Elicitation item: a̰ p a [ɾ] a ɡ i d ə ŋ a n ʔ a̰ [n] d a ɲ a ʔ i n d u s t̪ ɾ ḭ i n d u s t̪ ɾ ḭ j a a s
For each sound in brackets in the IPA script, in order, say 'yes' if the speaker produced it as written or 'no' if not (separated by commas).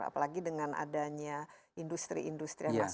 no, no